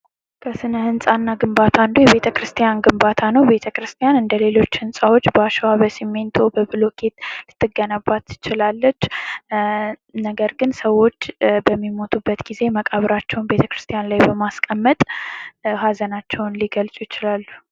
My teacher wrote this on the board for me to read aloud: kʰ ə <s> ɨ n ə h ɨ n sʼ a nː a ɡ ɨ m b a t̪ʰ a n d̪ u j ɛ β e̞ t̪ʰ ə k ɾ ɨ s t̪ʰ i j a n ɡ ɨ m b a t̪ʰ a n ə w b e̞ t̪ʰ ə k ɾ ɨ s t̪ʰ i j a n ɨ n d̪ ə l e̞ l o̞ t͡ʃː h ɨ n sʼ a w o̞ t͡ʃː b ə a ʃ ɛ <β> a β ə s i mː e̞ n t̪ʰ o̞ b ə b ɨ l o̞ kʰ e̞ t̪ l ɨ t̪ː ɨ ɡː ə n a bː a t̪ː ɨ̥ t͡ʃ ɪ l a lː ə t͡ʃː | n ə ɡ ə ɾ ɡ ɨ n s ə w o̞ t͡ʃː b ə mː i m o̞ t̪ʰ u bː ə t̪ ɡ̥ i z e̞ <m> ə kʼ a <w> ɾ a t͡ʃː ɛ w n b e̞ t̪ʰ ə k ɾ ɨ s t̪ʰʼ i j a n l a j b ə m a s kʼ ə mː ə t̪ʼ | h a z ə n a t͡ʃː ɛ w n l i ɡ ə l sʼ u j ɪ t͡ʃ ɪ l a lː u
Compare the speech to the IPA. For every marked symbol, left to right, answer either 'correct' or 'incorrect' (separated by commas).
correct, incorrect, correct, incorrect